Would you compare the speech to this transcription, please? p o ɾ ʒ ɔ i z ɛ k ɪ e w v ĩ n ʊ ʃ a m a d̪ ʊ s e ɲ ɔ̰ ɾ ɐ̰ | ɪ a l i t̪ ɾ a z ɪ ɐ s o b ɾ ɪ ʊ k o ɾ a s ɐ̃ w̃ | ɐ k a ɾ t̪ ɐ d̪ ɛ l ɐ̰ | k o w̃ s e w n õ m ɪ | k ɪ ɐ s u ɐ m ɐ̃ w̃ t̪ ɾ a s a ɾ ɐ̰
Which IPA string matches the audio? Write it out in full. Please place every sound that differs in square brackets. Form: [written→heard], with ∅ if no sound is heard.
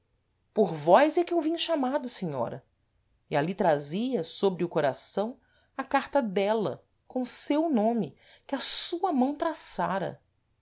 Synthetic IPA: p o ɾ [ʒ→v] ɔ [i→j] z ɛ k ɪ e w v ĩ [n→ɲ] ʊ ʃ a m a d̪ ʊ s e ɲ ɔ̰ ɾ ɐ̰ | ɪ a l i t̪ ɾ a z [ɪ→i] ɐ s o b ɾ ɪ ʊ k o ɾ a s ɐ̃ w̃ | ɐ k a ɾ t̪ ɐ d̪ ɛ l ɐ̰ | k [o→õ] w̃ s e w n õ m ɪ | k ɪ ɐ s u ɐ m ɐ̃ w̃ t̪ ɾ a s a ɾ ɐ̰